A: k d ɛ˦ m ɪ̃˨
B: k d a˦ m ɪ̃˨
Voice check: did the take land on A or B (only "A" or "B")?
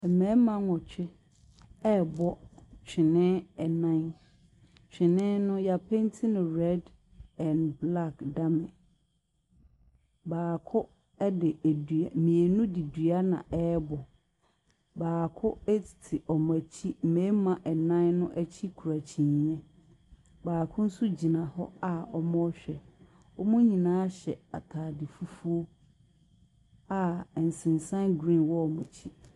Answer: B